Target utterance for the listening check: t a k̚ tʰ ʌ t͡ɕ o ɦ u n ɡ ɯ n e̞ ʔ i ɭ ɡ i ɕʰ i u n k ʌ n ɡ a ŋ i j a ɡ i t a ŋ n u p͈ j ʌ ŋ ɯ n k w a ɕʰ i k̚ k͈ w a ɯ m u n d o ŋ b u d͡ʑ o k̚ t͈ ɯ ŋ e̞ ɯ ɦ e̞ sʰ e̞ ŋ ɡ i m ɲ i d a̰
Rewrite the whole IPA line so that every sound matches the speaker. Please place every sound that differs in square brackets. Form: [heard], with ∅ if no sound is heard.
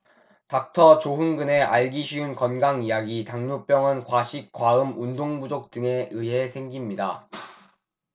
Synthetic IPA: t a k̚ tʰ ʌ t͡ɕ o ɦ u n ɡ ɯ n e̞ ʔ [a] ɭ ɡ i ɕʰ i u n k ʌ n ɡ a ŋ i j a ɡ i t a ŋ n u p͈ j ʌ ŋ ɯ n k w a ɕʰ i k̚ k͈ w a ɯ m u n d o ŋ b u d͡ʑ o k̚ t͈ ɯ ŋ e̞ ɯ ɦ e̞ sʰ e̞ ŋ ɡ i m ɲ i d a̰